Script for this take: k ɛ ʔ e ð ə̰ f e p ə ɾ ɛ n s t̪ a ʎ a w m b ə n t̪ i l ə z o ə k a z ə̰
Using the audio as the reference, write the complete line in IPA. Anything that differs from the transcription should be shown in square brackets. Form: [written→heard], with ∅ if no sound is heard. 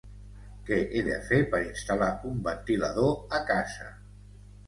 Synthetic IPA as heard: k ɛ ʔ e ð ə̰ f e p ə ɾ [ɛ→i] n s t̪ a [ʎ→l] a [w→u] m b ə n t̪ i l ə [z→ð] o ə k a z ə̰